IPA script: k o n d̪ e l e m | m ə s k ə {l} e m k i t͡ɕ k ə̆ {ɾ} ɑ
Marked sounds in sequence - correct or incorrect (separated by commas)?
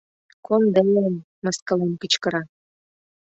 correct, correct